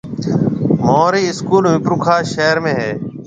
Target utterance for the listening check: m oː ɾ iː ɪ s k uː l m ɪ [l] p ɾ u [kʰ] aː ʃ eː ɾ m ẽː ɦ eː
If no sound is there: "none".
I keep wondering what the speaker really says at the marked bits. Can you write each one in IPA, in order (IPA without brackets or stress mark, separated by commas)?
none, kʰ